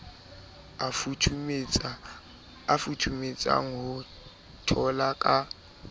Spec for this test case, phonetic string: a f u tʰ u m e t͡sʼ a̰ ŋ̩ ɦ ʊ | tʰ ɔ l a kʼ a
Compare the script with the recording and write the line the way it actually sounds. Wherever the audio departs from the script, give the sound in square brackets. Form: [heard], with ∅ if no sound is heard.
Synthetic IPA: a f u tʰ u m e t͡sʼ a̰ ŋ̩ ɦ ʊ | tʰ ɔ l a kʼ a